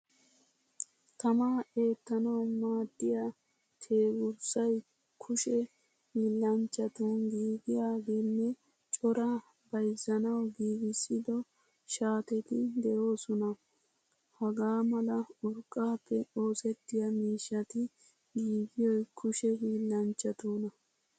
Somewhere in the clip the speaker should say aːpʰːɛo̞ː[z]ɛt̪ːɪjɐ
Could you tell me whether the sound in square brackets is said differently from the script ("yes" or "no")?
yes